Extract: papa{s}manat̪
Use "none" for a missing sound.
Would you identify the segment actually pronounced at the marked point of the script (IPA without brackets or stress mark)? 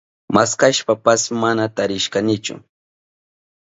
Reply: s